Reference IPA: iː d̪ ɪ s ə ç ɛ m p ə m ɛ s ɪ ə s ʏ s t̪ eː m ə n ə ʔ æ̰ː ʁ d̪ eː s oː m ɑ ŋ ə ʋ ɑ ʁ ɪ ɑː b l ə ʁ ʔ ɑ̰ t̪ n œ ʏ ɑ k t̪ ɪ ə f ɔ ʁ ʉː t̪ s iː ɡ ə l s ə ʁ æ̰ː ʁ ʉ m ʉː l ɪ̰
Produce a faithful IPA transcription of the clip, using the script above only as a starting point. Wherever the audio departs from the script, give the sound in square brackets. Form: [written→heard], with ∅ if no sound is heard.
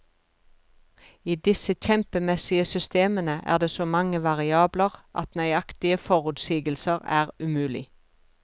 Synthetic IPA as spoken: iː d̪ ɪ s ə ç ɛ m p ə m ɛ s ɪ ə s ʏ s t̪ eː m ə n ə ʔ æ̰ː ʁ d̪ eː s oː m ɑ ŋ ə ʋ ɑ ʁ ɪ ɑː b l ə ʁ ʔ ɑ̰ t̪ n œ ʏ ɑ k t̪ ɪ ə f ɔ ʁ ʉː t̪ s iː ɡ ə l s ə ʁ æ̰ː ʁ ʉ m ʉː l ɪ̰